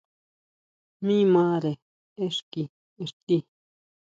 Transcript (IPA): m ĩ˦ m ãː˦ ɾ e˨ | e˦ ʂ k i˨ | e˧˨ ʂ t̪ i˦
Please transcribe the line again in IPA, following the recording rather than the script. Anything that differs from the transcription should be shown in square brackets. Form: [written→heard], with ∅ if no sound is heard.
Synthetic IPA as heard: m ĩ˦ m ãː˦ ɾ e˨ | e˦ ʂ k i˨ | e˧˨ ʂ t̪ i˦